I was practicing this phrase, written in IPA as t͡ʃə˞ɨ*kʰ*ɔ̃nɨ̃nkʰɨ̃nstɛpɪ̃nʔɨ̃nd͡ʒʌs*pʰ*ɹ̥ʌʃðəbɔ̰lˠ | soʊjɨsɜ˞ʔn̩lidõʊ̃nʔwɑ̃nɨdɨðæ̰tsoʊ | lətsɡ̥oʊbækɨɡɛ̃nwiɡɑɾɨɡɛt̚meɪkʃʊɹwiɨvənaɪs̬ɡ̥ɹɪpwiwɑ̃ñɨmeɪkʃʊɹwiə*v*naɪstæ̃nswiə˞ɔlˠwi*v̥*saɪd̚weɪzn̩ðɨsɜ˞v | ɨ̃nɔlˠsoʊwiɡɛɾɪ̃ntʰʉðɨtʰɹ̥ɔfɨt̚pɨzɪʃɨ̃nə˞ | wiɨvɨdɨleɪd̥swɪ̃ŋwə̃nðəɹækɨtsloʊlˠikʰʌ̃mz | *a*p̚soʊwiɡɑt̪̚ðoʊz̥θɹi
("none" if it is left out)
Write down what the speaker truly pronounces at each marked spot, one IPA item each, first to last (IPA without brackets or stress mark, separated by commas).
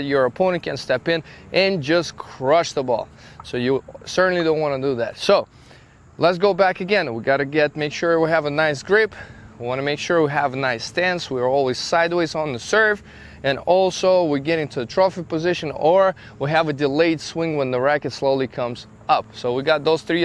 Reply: pʰ, kʰ, v, z̥, ʌ